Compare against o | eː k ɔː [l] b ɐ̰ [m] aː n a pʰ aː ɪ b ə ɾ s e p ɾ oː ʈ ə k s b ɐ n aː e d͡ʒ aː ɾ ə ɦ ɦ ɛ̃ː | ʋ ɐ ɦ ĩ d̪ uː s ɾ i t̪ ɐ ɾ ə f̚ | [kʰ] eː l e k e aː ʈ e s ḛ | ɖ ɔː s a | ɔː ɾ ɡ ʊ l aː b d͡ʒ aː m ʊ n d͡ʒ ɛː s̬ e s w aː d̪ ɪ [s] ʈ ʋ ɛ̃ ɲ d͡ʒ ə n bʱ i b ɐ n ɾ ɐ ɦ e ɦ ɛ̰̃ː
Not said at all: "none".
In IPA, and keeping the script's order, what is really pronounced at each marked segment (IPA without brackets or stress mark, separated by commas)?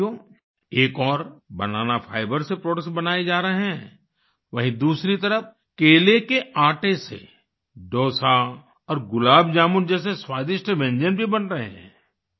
ɾ, n, k, ʃ